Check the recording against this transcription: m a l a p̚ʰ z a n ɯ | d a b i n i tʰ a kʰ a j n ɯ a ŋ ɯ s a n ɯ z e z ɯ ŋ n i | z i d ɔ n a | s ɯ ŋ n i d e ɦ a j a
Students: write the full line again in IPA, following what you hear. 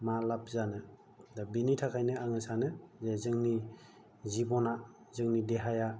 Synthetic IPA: m a l a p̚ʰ z a n ɯ | d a b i n i tʰ a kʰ a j n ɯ a ŋ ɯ s a n ɯ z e z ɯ ŋ n i | z i b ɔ n a | z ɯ ŋ n i d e ɦ a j a